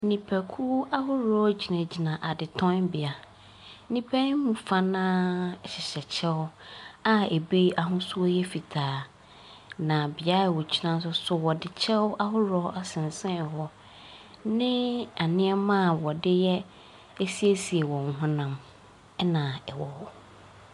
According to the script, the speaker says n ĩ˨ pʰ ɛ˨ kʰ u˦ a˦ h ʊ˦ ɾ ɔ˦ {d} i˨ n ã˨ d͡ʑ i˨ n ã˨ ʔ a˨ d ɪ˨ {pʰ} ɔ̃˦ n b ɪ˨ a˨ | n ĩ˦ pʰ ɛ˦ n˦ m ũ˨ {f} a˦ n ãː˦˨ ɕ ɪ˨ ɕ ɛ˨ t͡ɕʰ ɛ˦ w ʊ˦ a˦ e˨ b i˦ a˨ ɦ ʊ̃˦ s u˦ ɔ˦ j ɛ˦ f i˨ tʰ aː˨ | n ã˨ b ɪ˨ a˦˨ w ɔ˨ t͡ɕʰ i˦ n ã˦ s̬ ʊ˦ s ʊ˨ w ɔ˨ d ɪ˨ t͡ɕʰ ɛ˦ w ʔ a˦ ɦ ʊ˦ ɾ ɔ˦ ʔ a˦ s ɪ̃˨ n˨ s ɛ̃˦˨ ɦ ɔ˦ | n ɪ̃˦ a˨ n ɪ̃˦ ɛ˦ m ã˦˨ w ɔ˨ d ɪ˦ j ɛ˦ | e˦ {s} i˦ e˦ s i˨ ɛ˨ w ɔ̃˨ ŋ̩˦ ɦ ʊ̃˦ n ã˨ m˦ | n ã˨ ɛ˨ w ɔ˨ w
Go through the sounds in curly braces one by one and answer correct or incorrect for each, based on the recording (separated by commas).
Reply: incorrect, incorrect, correct, correct